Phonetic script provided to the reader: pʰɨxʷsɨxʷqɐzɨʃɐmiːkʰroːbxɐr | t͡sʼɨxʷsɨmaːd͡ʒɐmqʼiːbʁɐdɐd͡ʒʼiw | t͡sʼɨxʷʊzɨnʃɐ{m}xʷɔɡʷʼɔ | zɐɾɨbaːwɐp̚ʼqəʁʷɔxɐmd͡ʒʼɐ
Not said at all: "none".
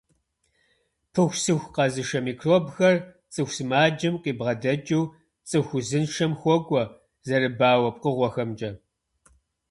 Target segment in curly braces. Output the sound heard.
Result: m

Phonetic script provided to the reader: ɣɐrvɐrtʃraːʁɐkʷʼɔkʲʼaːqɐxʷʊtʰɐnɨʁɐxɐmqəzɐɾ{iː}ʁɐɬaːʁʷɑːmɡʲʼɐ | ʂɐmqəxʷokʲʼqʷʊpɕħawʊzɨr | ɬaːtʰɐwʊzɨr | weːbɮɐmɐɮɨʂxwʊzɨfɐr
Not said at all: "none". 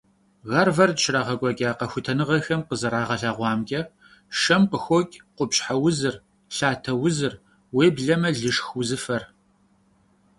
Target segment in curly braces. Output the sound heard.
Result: aː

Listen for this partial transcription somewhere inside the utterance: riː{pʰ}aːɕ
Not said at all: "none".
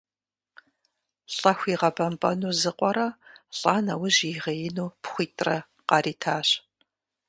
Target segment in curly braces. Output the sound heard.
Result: tʰ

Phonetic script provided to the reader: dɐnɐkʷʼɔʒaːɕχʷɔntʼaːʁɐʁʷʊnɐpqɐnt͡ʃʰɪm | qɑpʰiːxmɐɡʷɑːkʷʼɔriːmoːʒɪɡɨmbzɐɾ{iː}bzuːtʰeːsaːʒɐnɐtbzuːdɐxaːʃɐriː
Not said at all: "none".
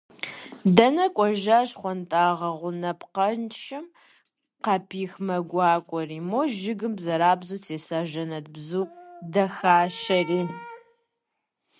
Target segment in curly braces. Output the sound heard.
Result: aː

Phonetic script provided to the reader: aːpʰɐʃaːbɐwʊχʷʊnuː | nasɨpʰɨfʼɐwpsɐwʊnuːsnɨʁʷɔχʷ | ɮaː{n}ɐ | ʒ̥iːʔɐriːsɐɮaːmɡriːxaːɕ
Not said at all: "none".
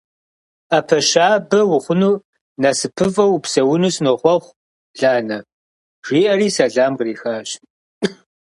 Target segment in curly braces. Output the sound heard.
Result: n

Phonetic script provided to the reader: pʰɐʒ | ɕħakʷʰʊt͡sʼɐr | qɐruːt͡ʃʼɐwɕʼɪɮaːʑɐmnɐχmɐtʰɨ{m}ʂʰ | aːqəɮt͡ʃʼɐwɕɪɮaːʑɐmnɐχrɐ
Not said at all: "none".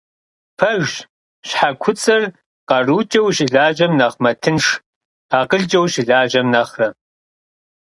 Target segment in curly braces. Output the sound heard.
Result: n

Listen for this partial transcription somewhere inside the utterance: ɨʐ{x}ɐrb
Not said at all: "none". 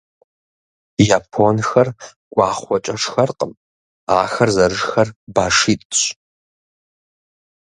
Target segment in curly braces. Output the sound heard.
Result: x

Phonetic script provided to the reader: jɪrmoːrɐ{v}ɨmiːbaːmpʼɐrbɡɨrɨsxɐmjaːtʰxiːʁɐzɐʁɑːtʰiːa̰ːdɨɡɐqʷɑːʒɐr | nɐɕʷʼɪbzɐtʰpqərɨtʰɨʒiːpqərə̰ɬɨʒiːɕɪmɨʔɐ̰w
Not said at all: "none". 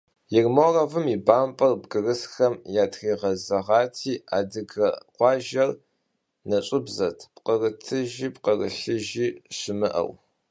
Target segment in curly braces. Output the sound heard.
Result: v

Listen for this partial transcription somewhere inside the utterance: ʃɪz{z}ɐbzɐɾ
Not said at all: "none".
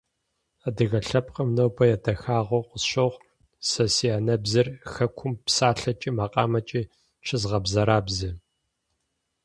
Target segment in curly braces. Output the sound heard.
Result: ʁ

